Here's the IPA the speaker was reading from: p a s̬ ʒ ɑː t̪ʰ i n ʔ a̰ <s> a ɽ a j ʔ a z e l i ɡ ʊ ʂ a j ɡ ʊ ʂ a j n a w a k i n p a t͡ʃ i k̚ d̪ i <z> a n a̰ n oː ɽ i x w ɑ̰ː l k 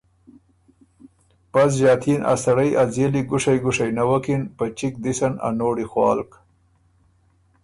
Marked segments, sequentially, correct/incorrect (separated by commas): correct, incorrect